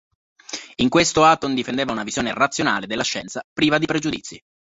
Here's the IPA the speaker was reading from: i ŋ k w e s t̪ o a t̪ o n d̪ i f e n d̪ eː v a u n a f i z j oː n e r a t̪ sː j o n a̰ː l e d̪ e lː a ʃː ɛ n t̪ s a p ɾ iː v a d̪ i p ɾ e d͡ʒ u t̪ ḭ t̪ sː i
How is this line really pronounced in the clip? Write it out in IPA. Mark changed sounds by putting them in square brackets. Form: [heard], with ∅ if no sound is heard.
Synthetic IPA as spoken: i ŋ k w e s t̪ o a t̪ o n d̪ i f e n d̪ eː v a u n a [v] i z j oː n e r a t̪ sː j o n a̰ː l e d̪ e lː a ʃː ɛ n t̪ s a p ɾ iː v a d̪ i p ɾ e d͡ʒ u [d̪] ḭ t̪ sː i